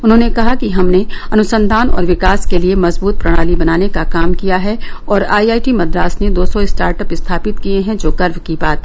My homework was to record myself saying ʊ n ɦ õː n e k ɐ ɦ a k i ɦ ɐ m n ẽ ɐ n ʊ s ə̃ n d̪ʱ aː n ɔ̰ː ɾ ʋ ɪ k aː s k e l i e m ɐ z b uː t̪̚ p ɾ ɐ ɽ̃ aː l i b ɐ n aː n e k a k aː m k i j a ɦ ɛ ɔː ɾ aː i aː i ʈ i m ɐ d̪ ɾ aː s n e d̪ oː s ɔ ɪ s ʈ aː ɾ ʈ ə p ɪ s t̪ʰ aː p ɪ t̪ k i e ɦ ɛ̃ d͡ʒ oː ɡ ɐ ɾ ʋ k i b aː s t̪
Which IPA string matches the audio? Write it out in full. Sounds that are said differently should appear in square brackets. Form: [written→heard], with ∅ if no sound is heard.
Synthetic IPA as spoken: ʊ n ɦ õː n e k ɐ ɦ a k i ɦ ɐ m n [ẽ→e] ɐ n ʊ s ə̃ n d̪ʱ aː n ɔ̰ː ɾ ʋ ɪ k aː s k e l i e m ɐ z b uː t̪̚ p ɾ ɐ ɽ̃ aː l i b ɐ n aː n e k a k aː m k i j a ɦ ɛ ɔː ɾ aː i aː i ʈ i m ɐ d̪ ɾ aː s n e d̪ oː s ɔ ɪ s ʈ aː ɾ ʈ ə p ɪ s t̪ʰ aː p ɪ t̪ k i e ɦ ɛ̃ d͡ʒ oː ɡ ɐ ɾ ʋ k i b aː [s→∅] t̪